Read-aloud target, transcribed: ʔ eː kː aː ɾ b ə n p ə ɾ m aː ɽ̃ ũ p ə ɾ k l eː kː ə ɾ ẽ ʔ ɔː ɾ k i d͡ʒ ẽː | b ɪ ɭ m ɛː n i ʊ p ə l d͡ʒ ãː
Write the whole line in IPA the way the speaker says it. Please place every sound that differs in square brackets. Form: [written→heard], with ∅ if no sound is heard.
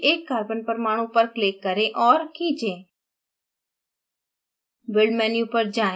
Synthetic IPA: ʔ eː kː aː ɾ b ə n p ə ɾ m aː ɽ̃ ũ p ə ɾ k l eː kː ə ɾ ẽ ʔ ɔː ɾ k i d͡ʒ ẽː | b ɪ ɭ m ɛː n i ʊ p ə [l→ɾ] d͡ʒ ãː